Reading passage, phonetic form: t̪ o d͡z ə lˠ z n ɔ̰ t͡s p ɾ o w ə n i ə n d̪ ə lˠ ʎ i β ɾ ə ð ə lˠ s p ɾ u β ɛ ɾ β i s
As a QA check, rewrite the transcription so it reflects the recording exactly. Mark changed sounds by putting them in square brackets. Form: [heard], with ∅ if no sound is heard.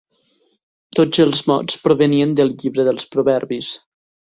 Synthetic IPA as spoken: t̪ o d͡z ə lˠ z [m] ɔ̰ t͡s p ɾ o [β] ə n i ə n d̪ ə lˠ ʎ i β ɾ ə ð ə lˠ s p ɾ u β ɛ ɾ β i s